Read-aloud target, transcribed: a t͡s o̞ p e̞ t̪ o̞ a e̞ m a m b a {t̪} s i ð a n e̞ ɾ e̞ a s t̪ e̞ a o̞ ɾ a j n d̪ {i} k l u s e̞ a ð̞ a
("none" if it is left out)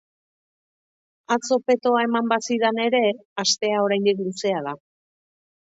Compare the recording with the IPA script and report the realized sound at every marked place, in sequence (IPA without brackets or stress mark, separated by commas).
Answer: none, i